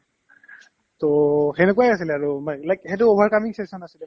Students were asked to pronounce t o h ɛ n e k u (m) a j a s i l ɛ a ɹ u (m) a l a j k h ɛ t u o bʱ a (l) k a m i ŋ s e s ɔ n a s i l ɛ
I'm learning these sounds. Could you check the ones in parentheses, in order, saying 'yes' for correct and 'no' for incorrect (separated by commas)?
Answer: no, yes, no